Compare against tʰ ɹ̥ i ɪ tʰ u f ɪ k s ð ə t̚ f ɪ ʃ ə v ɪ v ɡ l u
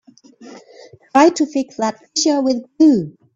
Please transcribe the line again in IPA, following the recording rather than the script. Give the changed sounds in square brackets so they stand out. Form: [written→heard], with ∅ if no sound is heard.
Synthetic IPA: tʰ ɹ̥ [i→a] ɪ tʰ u f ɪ k s ð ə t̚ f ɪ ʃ ə [v→w] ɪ [v→ð] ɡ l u